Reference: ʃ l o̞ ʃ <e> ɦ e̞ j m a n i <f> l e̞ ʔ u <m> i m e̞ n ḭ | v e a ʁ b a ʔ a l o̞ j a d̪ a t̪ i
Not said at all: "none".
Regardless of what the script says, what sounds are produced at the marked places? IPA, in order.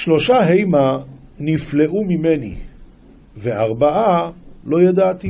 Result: a, f, m

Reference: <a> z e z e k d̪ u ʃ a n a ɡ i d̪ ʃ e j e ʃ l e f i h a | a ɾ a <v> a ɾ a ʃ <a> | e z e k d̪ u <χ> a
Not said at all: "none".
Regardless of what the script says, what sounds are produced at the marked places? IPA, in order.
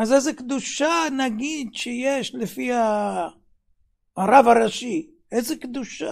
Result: a, v, i, ʃ

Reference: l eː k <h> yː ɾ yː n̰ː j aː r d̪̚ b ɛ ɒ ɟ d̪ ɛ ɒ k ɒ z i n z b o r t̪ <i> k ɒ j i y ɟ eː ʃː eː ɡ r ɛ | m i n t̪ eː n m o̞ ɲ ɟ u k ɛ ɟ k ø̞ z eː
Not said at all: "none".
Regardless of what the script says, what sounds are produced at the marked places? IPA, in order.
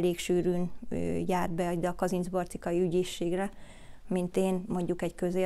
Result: ʃ, i

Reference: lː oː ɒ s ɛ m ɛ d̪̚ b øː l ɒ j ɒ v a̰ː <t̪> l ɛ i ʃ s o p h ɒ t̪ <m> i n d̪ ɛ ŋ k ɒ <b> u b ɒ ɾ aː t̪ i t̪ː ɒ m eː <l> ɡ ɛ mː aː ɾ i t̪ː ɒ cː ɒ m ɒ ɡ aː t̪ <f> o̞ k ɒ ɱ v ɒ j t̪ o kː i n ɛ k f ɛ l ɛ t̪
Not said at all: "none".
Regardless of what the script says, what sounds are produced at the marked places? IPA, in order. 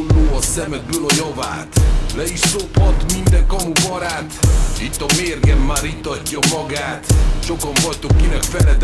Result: t̪, m, m, r, ʃ

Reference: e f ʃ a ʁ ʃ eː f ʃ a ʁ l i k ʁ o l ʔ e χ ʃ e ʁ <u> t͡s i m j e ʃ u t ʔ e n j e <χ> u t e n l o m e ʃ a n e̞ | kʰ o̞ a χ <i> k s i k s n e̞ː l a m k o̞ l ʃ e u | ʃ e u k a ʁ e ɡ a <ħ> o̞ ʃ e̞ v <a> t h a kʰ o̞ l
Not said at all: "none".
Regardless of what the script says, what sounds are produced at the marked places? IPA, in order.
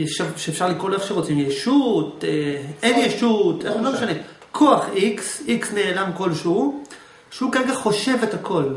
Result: o, ʃ, i, χ, e

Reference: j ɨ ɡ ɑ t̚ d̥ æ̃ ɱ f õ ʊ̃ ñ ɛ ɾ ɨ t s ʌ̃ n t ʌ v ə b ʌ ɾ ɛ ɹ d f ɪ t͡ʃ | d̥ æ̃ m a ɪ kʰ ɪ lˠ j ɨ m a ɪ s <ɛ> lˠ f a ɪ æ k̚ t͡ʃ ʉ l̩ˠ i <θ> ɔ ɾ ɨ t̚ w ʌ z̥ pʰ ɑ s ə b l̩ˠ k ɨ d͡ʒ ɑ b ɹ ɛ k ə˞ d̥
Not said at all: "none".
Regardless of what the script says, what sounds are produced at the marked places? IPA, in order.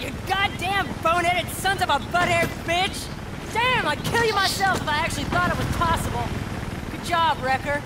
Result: ɛ, θ

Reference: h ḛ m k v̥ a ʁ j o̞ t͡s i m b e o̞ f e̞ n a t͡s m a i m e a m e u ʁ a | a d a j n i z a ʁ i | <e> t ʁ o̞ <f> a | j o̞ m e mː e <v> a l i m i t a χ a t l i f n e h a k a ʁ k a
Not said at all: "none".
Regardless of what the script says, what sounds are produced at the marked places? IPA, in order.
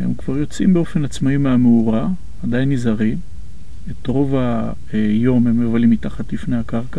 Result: e, v, v

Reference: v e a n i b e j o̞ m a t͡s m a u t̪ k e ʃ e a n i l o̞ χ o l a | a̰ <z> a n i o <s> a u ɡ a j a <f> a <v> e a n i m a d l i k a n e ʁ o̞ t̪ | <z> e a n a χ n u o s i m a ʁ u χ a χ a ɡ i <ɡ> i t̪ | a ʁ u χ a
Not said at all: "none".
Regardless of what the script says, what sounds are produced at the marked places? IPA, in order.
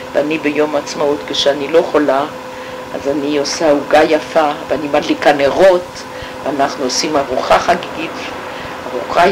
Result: z, s, f, v, v, ɡ

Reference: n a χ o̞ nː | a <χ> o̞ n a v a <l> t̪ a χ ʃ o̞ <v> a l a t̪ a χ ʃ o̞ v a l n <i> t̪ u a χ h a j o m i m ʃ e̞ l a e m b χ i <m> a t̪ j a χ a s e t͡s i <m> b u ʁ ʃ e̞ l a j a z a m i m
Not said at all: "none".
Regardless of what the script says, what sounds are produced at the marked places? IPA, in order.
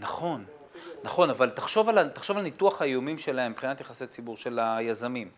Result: χ, l, v, i, n, none

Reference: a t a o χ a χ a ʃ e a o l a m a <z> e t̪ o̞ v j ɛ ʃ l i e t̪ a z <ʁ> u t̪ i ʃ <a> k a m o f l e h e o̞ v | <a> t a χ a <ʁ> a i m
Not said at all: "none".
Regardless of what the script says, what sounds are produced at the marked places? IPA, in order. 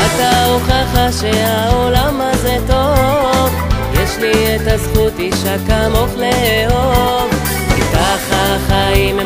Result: z, χ, a, i, χ

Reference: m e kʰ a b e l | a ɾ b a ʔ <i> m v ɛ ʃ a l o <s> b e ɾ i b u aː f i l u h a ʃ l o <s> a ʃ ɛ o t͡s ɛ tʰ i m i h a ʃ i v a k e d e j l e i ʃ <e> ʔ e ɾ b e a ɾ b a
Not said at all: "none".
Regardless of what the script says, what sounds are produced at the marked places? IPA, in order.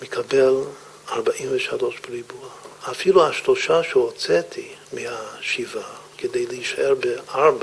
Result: i, ʃ, ʃ, a

